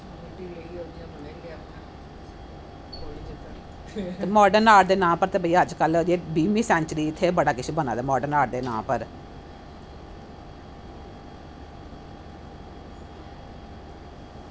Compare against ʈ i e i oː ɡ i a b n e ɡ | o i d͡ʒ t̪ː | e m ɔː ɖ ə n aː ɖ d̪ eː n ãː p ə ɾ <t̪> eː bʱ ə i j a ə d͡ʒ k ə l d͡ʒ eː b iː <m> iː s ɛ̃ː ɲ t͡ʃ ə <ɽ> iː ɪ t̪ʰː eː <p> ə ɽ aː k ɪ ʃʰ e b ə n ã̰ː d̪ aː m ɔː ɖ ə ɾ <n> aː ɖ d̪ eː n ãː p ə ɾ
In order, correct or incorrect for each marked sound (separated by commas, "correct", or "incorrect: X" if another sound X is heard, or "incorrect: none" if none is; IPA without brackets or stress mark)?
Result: correct, correct, incorrect: ɾ, incorrect: b, correct